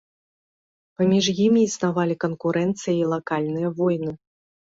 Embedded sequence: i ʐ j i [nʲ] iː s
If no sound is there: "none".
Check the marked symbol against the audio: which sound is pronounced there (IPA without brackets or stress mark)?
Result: mʲ